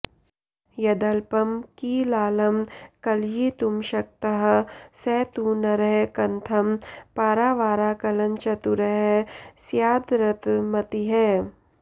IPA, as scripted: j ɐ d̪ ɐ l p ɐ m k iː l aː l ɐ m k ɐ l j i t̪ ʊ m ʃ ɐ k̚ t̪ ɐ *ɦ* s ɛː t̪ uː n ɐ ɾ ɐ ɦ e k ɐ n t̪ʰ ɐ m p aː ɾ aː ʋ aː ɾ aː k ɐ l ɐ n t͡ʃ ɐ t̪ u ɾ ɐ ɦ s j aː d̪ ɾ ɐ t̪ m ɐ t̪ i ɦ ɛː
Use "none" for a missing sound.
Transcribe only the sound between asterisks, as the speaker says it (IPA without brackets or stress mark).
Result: ɦ